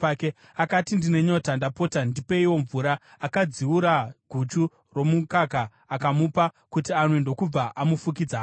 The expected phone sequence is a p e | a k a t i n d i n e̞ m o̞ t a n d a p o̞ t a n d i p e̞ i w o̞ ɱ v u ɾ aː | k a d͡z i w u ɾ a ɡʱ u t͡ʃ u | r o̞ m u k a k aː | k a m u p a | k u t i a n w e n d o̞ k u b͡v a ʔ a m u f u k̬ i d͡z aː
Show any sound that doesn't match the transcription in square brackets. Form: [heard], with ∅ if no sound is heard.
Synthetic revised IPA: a [k] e | a k a t i n d i n e̞ [ɲ] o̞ t a n d a p o̞ t a n d i p e̞ i w o̞ ɱ v u ɾ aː | k a d͡z i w u ɾ a ɡʱ u t͡ʃ u | r o̞ m u k a k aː | k a m u p a | k u t i a n w e n d o̞ k u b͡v a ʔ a m u f u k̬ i d͡z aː